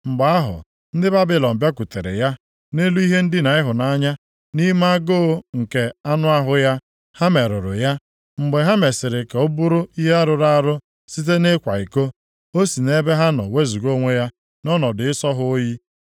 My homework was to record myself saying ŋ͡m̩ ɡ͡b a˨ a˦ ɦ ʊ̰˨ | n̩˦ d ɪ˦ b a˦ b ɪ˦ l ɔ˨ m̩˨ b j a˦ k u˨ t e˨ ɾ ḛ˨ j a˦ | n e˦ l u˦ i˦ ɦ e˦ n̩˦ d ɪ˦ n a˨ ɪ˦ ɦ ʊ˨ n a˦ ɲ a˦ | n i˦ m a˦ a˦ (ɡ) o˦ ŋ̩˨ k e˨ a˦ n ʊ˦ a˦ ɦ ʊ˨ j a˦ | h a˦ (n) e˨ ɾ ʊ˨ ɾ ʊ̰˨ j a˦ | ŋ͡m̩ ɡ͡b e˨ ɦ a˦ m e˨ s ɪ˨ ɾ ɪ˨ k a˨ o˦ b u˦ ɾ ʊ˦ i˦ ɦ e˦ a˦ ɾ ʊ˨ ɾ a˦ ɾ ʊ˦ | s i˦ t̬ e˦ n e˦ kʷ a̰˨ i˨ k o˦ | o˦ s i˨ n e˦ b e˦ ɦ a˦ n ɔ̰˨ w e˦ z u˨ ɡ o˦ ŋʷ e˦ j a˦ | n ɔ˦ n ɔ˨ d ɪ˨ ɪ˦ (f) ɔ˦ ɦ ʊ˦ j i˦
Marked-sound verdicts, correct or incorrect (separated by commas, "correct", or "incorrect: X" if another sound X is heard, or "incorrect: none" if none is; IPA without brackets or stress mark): correct, incorrect: m, incorrect: s